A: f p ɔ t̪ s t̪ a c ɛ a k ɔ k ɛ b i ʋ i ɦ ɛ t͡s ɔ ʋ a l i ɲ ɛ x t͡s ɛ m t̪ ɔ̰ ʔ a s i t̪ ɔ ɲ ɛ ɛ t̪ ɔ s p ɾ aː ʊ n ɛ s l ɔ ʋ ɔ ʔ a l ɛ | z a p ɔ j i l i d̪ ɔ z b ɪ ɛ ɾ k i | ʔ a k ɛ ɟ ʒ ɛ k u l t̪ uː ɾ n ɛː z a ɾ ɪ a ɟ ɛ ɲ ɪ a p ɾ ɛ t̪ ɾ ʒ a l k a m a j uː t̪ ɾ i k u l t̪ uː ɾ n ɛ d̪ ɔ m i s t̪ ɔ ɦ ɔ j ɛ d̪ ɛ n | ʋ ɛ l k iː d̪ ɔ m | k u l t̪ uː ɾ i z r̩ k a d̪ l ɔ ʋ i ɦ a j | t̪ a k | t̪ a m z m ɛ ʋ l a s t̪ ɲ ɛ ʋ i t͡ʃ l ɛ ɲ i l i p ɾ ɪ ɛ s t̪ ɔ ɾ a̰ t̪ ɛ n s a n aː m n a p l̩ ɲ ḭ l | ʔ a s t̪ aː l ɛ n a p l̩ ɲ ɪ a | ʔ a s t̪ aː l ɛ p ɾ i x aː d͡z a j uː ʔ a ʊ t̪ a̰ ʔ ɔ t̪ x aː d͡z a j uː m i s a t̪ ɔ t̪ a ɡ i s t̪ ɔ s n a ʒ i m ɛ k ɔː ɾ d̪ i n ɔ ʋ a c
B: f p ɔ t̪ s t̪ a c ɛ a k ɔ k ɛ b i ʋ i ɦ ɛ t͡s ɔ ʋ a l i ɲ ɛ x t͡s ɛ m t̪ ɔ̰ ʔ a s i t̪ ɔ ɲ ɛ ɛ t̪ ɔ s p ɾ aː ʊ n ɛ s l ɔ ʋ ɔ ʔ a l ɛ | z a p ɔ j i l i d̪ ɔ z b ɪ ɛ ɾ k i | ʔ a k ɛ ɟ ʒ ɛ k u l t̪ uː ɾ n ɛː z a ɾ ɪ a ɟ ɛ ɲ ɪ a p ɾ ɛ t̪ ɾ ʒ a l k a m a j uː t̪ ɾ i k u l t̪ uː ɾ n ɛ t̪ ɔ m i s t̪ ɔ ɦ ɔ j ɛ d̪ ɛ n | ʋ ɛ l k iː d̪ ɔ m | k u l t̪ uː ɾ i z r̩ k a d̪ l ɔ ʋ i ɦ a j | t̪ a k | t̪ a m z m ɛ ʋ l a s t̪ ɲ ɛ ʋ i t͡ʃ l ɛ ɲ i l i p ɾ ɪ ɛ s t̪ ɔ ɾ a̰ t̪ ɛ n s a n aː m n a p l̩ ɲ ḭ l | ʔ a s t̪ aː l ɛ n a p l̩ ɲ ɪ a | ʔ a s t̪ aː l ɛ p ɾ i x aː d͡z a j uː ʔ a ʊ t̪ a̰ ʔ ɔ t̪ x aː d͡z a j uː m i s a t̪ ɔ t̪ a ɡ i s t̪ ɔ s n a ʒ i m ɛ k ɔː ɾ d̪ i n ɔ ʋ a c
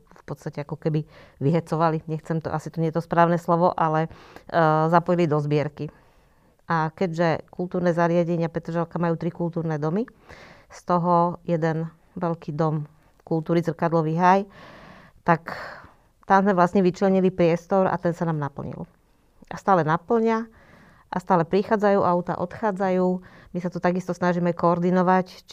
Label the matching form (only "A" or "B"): A